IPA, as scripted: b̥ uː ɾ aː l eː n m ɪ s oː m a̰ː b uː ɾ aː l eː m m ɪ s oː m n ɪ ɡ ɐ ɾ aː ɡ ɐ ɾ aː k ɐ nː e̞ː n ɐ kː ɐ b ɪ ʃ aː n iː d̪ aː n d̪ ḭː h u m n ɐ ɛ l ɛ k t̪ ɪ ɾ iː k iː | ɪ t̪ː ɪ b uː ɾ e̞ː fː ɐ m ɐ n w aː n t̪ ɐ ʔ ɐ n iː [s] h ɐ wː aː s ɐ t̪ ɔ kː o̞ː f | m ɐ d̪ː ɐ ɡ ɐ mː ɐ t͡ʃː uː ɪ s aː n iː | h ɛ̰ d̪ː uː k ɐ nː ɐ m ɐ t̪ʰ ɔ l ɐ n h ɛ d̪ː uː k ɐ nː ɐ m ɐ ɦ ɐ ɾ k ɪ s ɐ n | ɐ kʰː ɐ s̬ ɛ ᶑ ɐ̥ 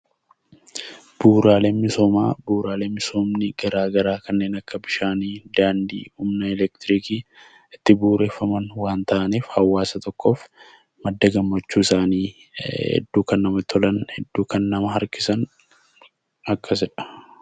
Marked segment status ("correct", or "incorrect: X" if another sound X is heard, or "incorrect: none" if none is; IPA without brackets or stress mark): incorrect: f